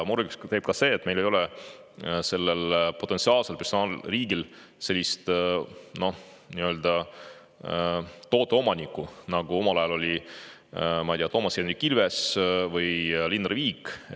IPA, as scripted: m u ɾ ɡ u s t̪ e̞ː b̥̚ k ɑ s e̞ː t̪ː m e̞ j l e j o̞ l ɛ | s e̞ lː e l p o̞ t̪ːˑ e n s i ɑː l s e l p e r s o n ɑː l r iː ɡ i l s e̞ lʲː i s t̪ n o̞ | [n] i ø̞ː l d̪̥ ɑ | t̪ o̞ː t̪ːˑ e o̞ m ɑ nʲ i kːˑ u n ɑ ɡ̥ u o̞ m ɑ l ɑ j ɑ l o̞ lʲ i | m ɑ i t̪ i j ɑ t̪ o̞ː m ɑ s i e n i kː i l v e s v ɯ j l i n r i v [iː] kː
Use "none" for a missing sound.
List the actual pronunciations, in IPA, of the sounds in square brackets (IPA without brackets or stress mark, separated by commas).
n, iː